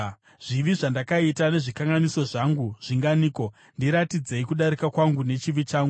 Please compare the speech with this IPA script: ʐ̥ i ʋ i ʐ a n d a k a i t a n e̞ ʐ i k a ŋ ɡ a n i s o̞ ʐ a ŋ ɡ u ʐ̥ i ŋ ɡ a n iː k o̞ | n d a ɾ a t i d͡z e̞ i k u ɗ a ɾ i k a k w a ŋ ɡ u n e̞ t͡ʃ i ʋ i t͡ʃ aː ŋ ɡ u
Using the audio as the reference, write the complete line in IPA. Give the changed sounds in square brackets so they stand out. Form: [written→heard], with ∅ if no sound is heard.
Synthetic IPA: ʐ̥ i ʋ i ʐ a n d a k a i t a n e̞ ʐ i k a ŋ ɡ a n i s o̞ ʐ a ŋ ɡ u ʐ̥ i ŋ ɡ a n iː k o̞ | n d [a→i] ɾ a t i d͡z e̞ i k u ɗ a ɾ i k a k w a ŋ ɡ u n e̞ t͡ʃ i ʋ i t͡ʃ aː ŋ ɡ u